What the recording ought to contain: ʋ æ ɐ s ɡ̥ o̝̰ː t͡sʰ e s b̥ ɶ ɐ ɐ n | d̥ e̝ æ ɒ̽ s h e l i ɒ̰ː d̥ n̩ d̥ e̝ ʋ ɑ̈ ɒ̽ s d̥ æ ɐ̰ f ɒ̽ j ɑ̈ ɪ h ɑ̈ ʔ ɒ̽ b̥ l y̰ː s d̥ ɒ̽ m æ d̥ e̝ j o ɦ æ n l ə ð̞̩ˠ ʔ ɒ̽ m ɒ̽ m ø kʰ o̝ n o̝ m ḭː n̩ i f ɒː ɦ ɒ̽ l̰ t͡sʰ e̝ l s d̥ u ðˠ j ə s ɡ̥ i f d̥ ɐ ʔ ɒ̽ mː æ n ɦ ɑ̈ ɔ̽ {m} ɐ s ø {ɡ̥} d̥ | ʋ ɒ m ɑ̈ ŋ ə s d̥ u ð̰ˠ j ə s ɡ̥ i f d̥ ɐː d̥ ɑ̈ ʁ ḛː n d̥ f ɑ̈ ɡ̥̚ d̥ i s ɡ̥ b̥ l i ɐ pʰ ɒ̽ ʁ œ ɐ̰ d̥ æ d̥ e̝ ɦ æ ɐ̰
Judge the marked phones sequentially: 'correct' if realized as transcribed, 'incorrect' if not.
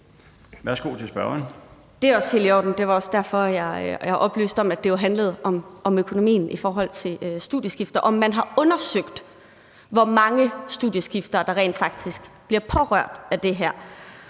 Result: incorrect, correct

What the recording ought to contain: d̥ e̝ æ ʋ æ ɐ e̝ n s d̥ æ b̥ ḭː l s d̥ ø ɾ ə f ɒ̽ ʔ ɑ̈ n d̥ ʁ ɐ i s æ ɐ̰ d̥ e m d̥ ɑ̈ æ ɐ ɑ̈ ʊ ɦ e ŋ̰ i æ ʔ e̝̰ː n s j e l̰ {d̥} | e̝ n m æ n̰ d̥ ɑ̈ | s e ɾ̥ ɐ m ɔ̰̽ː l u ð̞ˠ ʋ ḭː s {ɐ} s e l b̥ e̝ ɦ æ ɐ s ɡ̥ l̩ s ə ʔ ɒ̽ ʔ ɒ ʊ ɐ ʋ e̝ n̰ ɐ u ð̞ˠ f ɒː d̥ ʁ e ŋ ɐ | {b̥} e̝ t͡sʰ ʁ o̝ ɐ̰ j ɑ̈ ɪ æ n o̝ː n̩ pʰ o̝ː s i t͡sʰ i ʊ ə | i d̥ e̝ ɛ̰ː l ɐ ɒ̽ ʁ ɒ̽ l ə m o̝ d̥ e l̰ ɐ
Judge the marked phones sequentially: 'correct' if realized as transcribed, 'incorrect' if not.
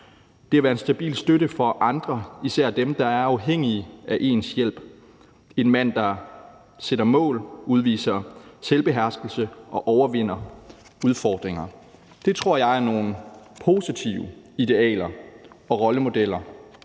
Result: incorrect, correct, incorrect

